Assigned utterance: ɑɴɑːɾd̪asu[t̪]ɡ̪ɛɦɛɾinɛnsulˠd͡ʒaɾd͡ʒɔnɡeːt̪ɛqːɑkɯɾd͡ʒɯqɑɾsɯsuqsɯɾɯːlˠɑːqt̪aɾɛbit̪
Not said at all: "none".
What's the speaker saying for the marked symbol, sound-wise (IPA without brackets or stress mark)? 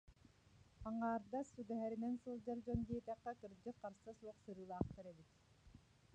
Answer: none